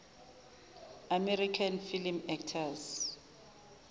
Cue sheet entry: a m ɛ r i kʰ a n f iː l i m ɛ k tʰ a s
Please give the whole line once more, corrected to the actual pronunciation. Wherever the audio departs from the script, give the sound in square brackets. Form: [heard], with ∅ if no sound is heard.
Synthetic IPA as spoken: a m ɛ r i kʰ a n f [i] l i m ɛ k tʰ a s